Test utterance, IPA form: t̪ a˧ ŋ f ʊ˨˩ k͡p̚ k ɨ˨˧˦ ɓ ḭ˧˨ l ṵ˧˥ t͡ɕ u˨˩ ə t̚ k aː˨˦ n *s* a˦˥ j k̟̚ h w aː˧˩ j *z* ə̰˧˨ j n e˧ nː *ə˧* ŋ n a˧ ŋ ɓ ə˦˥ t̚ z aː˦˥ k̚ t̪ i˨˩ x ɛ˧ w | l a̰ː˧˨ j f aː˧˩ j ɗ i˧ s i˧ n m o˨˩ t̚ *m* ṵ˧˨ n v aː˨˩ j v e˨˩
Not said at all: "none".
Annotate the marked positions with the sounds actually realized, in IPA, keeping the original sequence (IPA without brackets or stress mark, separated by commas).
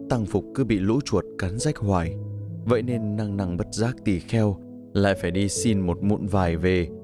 z, v, a˧, m